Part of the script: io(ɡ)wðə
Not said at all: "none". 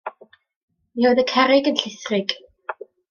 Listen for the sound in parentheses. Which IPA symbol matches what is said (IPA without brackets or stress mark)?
none